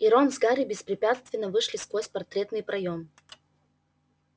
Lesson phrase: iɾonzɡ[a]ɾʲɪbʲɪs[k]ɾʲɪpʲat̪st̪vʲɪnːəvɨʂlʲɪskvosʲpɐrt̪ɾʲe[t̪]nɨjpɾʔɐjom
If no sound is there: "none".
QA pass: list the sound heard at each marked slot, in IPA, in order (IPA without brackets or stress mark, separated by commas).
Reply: a, p, t̪